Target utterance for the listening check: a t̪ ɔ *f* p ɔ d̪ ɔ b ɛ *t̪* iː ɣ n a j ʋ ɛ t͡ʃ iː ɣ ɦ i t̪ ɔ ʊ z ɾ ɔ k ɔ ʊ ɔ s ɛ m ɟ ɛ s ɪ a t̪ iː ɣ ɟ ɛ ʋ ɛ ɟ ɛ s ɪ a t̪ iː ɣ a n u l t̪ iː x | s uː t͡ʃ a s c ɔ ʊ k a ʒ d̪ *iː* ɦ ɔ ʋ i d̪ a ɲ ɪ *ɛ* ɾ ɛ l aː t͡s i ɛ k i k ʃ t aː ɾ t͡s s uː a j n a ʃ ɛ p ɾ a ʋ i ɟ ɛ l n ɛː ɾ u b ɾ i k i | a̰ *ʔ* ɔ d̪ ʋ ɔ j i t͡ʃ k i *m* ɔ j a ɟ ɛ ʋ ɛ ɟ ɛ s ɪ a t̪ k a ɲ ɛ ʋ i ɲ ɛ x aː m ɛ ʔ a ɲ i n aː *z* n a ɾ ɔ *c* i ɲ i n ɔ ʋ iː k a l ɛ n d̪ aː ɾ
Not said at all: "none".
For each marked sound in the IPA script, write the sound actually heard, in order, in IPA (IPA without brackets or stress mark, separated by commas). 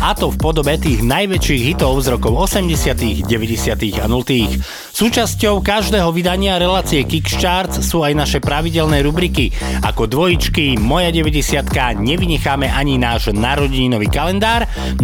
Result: f, t̪, ɛː, a, k, m, ʒ, ɟ